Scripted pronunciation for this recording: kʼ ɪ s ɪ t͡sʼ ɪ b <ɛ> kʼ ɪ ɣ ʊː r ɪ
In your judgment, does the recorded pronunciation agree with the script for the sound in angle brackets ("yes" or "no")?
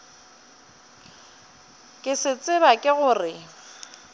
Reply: no